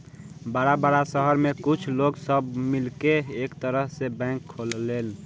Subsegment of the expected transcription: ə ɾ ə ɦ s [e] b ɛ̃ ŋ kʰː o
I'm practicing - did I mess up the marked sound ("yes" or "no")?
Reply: no